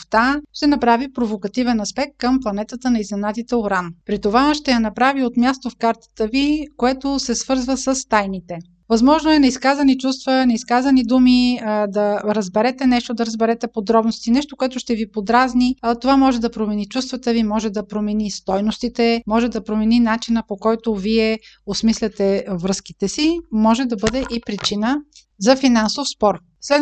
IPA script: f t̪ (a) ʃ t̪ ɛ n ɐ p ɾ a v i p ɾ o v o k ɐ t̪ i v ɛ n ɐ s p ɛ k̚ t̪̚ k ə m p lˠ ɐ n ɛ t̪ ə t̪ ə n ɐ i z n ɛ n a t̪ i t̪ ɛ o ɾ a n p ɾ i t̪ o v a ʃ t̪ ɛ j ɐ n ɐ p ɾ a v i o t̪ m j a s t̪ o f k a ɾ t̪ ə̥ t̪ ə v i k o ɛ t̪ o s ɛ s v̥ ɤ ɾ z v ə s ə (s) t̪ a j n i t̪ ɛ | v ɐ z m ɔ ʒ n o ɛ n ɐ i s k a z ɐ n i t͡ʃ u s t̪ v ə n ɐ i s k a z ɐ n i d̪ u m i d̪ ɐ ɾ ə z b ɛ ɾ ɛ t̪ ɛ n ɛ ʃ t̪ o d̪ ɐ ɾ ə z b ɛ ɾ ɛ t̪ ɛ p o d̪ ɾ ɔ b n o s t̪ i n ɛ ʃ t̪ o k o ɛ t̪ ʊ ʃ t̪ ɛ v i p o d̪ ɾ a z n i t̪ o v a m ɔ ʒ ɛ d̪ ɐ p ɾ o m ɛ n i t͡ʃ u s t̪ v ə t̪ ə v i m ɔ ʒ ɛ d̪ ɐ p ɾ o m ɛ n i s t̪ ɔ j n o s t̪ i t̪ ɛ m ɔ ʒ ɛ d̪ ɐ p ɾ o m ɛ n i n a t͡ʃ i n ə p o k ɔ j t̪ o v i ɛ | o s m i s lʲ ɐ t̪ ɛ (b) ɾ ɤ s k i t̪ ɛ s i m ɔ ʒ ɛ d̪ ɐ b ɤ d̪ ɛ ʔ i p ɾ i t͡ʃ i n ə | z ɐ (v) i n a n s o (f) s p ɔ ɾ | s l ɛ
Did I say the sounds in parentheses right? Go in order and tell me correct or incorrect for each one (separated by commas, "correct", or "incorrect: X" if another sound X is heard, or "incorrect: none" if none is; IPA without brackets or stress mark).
correct, correct, incorrect: v, incorrect: f, correct